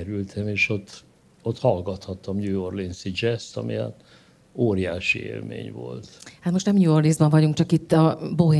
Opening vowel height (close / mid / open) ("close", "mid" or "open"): close